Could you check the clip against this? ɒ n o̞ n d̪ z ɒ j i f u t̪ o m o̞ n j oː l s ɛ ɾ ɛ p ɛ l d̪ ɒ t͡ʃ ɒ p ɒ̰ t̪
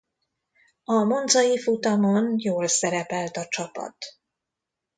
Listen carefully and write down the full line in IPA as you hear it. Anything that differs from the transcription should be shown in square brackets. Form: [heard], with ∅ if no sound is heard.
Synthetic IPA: ɒ [m] o̞ n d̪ z ɒ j i f u t̪ [ɒ] m o̞ n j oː l s ɛ ɾ ɛ p ɛ l [t̪] ɒ t͡ʃ ɒ p ɒ̰ t̪